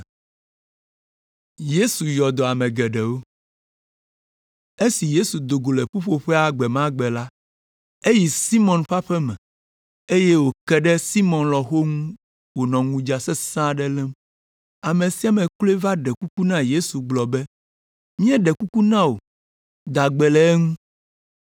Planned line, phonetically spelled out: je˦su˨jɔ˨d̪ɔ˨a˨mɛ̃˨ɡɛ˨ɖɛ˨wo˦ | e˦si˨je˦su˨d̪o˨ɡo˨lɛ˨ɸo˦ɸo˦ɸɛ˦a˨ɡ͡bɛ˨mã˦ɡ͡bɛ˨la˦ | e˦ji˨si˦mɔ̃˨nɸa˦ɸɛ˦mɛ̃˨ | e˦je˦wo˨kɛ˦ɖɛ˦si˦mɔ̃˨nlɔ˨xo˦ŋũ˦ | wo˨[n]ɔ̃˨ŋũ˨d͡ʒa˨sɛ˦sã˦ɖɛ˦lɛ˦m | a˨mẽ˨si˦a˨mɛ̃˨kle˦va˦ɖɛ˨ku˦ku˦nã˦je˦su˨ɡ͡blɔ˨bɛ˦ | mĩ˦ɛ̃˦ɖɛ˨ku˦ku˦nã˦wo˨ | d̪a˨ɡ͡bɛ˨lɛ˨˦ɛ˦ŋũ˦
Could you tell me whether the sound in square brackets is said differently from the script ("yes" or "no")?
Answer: no